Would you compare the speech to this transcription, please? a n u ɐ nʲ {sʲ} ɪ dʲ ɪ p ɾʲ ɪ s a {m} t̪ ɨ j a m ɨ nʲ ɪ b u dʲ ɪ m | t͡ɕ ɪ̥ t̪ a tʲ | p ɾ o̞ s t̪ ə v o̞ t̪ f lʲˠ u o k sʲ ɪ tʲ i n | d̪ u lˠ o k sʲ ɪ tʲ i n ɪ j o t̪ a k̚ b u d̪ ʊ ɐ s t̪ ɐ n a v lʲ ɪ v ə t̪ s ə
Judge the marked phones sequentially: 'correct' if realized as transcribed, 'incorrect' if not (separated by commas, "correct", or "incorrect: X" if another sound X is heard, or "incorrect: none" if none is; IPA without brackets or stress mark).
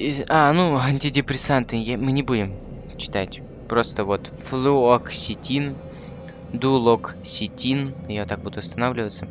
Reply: incorrect: tʲ, incorrect: n